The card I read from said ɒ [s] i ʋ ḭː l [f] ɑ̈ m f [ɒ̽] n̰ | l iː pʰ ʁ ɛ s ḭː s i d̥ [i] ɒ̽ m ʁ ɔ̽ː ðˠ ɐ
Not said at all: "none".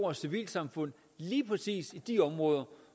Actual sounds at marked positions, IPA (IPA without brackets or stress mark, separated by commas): s, s, ɔ̽, i